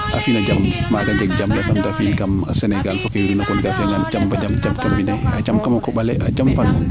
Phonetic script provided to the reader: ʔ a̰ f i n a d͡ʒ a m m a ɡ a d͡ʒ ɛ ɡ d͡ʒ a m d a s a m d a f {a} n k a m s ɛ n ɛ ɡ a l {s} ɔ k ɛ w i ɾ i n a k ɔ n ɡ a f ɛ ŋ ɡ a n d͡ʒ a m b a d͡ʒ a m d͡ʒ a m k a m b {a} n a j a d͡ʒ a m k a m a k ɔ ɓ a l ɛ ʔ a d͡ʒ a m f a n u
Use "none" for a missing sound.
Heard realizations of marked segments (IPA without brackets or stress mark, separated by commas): i, f, i